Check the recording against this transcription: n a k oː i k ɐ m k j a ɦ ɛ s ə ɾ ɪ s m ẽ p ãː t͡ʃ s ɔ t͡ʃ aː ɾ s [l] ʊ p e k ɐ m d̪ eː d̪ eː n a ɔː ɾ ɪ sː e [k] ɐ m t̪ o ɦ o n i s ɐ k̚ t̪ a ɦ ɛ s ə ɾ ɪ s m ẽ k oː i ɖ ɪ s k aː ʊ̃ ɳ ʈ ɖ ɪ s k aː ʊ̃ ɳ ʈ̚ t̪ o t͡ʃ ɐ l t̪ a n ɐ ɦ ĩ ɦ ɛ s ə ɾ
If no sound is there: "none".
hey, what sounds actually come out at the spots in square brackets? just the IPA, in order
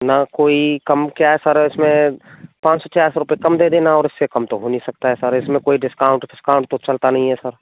ɾ, k

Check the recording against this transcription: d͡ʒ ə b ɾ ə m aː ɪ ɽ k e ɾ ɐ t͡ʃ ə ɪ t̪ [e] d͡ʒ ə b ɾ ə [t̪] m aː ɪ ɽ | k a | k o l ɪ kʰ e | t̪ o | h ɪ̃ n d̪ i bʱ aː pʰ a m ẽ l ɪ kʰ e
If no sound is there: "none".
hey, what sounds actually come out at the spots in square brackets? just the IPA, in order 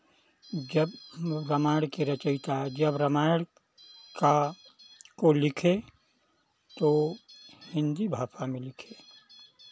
a, none

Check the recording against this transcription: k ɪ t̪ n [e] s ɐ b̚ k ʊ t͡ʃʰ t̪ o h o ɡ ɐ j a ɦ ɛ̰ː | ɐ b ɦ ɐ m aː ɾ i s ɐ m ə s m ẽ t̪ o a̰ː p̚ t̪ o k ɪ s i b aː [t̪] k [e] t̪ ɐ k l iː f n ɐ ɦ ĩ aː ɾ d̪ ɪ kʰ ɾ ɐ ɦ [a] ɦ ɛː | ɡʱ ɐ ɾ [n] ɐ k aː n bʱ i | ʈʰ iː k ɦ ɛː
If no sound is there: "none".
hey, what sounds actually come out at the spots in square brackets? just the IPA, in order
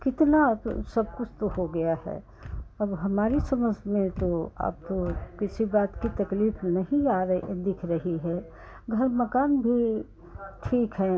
a, t̪, i, i, m

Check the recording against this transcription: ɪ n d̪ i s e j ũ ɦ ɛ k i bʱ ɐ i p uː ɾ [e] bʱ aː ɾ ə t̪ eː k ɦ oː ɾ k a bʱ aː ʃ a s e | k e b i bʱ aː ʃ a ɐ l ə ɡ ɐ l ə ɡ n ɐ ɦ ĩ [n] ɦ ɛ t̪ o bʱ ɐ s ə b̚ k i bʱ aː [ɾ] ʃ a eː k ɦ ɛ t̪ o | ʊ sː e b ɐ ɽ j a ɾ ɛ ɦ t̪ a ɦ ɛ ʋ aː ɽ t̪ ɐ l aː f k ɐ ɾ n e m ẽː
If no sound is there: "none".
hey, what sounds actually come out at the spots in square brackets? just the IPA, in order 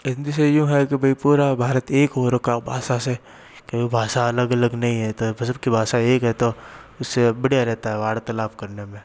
a, none, none

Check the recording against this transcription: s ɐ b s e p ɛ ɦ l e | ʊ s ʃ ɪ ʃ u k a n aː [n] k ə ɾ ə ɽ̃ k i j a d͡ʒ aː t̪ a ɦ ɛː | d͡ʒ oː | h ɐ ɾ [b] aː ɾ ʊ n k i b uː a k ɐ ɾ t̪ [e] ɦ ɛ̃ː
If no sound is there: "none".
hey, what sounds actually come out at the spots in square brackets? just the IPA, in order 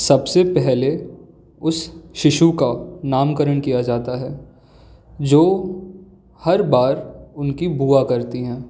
m, b, i

